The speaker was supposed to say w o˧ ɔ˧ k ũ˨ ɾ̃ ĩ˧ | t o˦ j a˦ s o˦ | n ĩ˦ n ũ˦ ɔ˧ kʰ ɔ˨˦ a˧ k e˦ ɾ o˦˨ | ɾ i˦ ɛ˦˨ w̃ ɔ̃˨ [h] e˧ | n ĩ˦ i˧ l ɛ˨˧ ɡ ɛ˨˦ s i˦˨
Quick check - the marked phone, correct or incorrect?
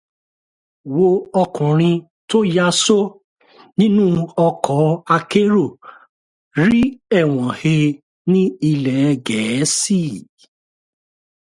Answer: correct